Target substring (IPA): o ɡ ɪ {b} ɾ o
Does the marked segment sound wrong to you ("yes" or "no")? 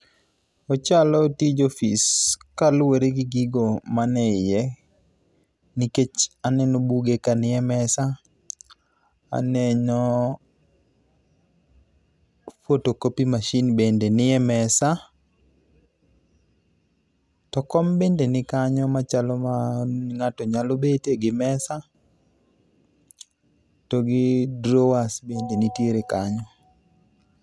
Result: yes